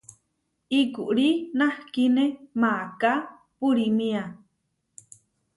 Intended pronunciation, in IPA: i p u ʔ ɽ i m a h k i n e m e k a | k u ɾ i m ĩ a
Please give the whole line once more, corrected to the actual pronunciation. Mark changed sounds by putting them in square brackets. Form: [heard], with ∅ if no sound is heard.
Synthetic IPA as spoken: i [k] u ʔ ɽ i [n] a h k i n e m [a] k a | [p] u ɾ i m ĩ a